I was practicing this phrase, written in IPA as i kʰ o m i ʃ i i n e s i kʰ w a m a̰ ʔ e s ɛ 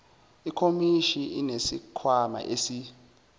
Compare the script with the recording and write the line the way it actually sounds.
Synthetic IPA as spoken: i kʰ o m i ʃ i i n e s i kʰ w a m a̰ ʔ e s i